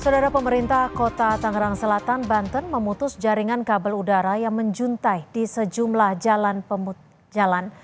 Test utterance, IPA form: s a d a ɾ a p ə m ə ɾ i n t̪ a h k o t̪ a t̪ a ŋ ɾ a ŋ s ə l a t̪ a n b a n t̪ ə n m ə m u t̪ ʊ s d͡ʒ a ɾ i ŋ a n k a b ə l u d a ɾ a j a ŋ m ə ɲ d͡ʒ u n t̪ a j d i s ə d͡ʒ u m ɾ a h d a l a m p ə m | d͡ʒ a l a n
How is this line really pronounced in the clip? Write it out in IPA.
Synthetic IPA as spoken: s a d a ɾ a p ə m ə ɾ i n t̪ a h k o t̪ a t̪ a ŋ ɾ a ŋ s ə l a t̪ a n b a n t̪ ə n m ə m u t̪ ʊ s d͡ʒ a ɾ i ŋ a n k a b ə l u d a ɾ a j a ŋ m ə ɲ d͡ʒ u n t̪ a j d i s ə d͡ʒ u m l a h d͡ʒ a l a n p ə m | d͡ʒ a l a n